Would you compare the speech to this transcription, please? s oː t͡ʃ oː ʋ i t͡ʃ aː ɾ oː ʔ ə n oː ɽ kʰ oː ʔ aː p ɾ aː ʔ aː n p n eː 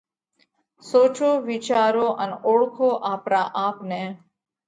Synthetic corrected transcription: s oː t͡ʃ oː ʋ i t͡ʃ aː ɾ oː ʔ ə n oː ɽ kʰ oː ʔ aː p ɾ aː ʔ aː p n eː